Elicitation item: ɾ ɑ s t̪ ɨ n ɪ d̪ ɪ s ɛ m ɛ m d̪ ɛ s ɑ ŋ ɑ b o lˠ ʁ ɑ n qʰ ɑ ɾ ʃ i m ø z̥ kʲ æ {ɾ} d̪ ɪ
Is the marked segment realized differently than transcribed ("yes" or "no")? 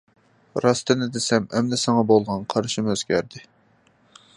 no